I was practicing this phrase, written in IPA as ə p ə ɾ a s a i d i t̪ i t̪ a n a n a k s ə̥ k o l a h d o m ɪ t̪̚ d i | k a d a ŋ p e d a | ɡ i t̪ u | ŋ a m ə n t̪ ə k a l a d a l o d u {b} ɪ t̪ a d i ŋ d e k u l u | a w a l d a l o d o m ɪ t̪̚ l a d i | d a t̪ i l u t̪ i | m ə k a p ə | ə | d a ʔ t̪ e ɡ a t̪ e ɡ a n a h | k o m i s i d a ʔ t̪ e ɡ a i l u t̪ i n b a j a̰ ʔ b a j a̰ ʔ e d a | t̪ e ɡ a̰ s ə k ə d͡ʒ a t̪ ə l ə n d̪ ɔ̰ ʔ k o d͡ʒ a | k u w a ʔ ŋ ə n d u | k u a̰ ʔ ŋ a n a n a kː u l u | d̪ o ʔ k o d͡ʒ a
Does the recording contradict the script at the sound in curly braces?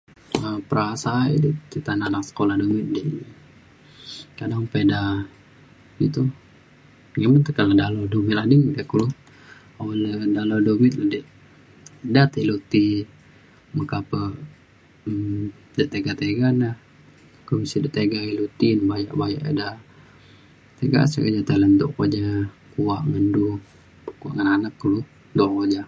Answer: yes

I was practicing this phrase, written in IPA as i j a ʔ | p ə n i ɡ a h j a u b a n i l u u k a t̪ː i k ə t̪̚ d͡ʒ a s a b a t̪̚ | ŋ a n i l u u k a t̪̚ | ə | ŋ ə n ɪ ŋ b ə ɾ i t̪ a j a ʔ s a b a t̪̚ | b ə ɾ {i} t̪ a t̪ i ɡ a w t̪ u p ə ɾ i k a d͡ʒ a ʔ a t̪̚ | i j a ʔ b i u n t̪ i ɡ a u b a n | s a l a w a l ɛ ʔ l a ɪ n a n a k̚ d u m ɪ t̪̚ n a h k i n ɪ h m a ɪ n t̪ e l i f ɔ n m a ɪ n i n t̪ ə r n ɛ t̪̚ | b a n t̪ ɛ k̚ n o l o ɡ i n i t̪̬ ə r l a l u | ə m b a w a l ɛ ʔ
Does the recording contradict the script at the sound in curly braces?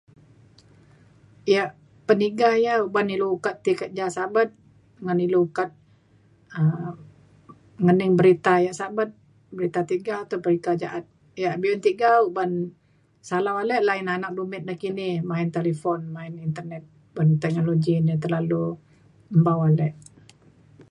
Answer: no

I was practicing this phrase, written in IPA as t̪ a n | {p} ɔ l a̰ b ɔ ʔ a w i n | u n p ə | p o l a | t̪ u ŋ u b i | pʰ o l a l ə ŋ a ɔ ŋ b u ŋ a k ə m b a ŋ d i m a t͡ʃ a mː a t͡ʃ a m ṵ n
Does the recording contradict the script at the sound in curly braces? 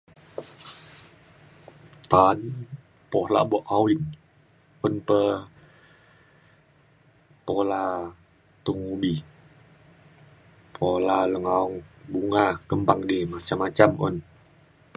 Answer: no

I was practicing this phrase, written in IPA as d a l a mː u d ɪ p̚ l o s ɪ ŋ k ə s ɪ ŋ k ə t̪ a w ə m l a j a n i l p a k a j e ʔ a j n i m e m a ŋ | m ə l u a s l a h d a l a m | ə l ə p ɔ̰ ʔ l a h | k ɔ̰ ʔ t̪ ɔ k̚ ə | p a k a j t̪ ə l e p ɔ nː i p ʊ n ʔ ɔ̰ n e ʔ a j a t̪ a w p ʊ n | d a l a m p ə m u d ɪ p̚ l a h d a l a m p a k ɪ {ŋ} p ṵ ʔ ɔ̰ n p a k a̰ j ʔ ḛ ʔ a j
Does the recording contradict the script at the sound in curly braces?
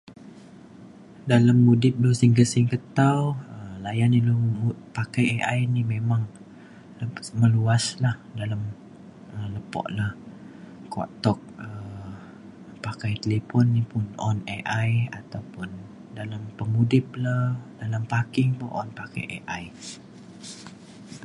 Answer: no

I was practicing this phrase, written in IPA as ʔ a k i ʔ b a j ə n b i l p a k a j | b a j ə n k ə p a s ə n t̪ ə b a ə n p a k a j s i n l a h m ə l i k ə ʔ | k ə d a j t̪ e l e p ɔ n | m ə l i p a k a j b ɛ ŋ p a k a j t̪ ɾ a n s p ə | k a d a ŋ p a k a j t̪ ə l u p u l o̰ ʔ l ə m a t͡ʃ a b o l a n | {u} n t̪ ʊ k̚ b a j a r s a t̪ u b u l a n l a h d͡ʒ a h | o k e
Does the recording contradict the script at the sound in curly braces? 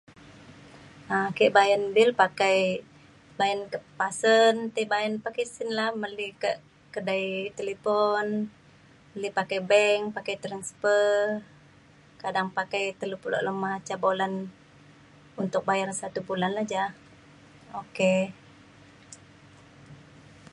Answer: no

